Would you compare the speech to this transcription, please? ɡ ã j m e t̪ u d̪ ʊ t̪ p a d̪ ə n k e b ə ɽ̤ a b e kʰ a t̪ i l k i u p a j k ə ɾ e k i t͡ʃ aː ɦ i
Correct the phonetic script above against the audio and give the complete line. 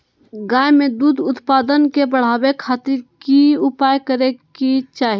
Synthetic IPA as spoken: ɡ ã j m e d̪ u d̪ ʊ t̪ p a d̪ ə n k e b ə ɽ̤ a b e kʰ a t̪ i ɾ k i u p a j k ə ɾ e k i t͡ʃ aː ɦ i